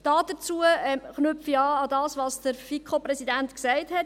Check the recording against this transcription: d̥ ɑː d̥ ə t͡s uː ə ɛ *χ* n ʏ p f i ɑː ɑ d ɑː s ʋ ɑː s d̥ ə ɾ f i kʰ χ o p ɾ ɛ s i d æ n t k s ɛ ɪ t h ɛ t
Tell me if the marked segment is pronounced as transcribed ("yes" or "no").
yes